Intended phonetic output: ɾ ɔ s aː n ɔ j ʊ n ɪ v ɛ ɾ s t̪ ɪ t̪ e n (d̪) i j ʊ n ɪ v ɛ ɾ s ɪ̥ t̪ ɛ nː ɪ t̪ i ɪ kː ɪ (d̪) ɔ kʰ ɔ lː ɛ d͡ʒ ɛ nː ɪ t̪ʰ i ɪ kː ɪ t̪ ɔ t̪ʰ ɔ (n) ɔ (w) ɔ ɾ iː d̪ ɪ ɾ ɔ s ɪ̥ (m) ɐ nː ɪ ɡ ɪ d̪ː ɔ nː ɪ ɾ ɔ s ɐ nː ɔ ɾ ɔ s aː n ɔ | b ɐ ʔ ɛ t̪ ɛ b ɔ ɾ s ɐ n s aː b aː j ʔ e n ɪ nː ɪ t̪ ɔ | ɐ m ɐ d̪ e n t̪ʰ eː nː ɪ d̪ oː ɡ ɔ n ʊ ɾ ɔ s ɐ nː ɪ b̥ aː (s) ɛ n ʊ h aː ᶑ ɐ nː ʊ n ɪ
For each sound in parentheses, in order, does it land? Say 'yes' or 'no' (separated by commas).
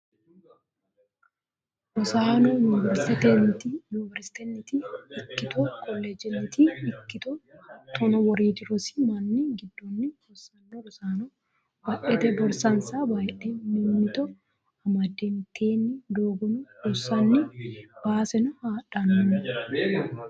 no, no, yes, yes, yes, yes